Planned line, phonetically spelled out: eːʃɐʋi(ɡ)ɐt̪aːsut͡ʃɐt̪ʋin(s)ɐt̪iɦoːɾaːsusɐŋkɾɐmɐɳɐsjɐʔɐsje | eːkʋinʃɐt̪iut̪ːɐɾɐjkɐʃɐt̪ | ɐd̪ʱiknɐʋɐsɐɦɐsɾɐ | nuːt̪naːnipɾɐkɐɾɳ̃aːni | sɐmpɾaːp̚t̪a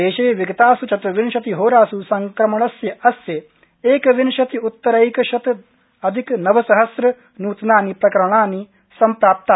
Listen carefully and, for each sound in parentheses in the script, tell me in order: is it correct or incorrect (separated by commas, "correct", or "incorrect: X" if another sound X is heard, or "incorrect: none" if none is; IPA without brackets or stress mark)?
correct, incorrect: ʃ